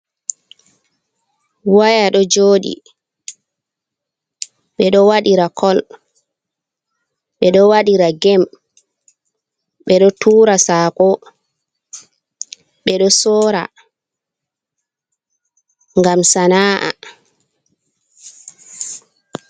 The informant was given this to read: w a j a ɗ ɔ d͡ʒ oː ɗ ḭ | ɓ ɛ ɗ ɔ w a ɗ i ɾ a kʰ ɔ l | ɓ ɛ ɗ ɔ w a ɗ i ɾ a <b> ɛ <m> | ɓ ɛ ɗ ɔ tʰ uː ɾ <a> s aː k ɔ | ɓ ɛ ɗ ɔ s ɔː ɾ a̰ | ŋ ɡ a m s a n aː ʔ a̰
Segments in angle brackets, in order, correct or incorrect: incorrect: ɡ, correct, correct

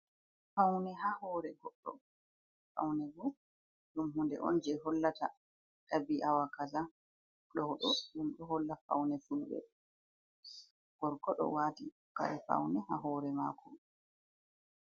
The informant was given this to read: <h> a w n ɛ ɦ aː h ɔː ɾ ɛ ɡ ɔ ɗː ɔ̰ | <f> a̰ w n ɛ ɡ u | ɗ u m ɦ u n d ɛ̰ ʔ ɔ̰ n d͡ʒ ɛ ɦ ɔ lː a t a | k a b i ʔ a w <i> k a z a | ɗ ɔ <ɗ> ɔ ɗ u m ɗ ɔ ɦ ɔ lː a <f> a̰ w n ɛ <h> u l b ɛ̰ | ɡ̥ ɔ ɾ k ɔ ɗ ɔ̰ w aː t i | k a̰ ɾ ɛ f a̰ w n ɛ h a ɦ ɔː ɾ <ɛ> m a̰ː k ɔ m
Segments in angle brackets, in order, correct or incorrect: incorrect: f, correct, incorrect: a, correct, correct, incorrect: f, correct

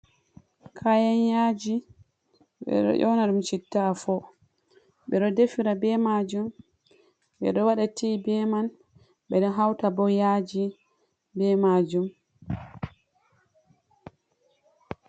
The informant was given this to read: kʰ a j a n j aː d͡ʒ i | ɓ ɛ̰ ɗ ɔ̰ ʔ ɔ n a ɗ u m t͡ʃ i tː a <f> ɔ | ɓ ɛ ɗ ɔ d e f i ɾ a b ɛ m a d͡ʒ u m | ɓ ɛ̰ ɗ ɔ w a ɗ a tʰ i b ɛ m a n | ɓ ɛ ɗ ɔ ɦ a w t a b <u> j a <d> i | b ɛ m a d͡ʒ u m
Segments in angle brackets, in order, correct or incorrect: correct, incorrect: ɔ, incorrect: d͡ʒ

